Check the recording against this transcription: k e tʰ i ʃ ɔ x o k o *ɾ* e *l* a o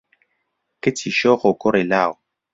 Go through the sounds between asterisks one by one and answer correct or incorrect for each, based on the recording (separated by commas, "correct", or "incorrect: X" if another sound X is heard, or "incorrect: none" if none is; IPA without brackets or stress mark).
correct, correct